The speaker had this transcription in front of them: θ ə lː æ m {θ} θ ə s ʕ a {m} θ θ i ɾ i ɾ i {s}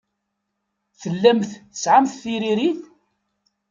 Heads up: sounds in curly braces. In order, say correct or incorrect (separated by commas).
correct, correct, incorrect